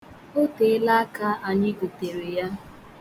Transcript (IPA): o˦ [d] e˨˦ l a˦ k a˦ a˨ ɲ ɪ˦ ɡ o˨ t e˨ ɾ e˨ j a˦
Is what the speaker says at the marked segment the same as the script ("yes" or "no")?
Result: no